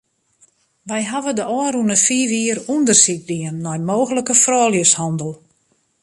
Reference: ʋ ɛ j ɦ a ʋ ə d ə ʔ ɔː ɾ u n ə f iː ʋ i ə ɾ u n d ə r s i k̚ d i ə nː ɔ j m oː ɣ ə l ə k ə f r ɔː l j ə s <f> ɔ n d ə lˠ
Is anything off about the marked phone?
yes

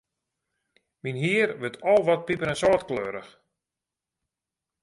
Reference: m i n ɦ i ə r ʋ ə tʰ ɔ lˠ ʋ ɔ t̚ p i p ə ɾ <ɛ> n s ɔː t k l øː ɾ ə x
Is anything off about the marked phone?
no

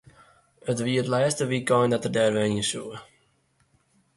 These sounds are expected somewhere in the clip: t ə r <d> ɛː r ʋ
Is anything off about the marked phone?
no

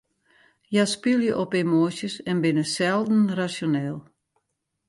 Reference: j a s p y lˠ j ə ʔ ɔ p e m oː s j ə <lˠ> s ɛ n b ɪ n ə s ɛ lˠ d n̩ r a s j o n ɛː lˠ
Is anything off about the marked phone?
yes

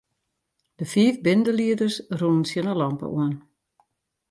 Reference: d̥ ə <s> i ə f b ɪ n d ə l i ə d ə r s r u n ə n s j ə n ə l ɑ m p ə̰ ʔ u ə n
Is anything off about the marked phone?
yes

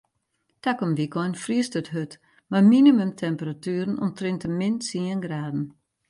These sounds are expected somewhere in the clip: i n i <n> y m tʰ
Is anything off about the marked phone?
yes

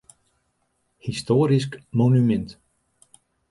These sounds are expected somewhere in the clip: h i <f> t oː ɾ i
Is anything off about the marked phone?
yes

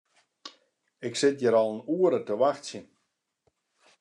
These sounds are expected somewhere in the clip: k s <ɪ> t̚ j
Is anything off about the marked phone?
no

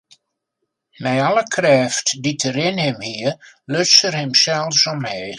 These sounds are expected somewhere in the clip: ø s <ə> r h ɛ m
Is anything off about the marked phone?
no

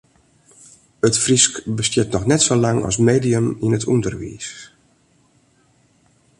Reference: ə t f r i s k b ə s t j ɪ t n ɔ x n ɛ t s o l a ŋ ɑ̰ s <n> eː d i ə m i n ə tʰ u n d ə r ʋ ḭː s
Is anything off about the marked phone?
yes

